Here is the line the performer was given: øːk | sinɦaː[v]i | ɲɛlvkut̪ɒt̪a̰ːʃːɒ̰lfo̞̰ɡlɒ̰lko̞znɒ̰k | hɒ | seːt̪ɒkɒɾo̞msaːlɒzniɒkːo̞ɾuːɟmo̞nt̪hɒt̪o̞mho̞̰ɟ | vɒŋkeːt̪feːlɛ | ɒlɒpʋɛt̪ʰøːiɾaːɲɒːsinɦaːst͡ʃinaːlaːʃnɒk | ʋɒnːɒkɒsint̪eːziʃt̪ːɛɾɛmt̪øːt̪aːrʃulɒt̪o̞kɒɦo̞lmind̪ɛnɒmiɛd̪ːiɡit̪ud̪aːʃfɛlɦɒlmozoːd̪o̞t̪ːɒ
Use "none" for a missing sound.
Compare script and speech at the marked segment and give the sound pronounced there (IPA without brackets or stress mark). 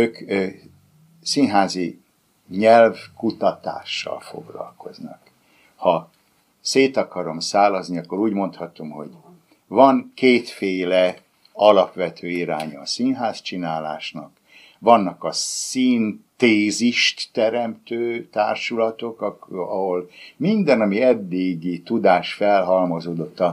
z